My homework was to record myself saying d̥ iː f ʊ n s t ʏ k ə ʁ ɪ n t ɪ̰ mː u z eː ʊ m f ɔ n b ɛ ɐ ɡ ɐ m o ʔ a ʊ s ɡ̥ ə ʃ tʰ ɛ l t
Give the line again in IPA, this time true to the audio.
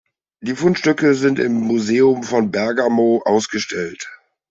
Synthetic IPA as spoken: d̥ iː f ʊ n ʃ t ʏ k ə z ɪ n t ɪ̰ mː u z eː ʊ m f ɔ n b ɛ ɐ ɡ a m o ʔ a ʊ s ɡ̥ ə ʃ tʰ ɛ l t

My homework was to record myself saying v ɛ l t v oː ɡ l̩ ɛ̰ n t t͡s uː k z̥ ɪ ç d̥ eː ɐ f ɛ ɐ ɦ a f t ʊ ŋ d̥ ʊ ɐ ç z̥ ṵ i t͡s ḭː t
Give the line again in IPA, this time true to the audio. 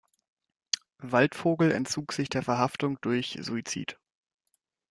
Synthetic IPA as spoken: v a l t f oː ɡ l̩ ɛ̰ n t t͡s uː k z̥ ɪ ç d̥ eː ɐ f ɛ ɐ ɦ a f t ʊ ŋ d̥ ʊ ɐ ç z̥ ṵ i t͡s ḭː t

